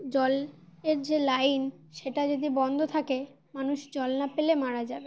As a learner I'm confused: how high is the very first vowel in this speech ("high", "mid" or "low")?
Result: mid